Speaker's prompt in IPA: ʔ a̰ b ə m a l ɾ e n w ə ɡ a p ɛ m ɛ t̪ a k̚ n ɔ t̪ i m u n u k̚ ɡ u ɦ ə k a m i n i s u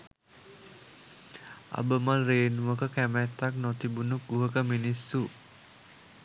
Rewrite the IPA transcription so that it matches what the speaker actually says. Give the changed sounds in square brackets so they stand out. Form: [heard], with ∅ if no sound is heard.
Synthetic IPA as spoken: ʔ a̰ b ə m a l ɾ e n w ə [k] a [k] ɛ m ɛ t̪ a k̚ n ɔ t̪ i [b] u n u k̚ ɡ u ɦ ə k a m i n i s u